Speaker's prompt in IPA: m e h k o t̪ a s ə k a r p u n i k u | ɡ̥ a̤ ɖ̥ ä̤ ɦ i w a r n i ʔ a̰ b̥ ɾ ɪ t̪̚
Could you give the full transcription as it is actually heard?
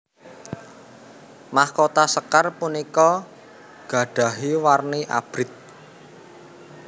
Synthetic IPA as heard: m a h k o t̪ a s ə k a r p u n i k ɔ | ɡ̥ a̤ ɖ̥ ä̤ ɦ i w a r n i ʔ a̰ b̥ ɾ ɪ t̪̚